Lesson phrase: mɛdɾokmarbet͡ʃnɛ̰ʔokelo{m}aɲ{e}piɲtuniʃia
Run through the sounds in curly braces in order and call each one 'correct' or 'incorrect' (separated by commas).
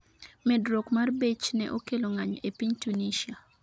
incorrect, correct